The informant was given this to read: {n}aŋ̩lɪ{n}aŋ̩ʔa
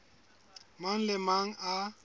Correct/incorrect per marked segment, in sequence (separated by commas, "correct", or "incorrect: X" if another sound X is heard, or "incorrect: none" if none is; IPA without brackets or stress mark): incorrect: m, incorrect: m